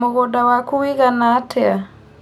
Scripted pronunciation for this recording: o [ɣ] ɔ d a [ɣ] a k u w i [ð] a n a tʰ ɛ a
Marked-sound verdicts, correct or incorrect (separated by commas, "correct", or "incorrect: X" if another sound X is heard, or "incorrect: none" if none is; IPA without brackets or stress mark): correct, incorrect: w, incorrect: ɣ